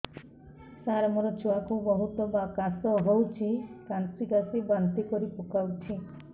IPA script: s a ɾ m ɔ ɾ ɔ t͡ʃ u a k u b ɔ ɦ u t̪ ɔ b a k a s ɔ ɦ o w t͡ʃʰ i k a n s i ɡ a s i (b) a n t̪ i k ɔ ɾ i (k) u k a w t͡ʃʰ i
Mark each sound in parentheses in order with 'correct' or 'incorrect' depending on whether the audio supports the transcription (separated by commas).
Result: correct, incorrect